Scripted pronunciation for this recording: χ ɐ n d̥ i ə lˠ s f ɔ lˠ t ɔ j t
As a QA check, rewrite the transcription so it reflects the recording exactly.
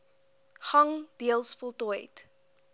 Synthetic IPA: χ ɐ ŋ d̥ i ə lˠ s f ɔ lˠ t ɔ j t